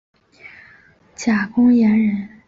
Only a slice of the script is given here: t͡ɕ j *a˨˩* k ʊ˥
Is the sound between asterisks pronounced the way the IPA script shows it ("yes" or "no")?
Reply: yes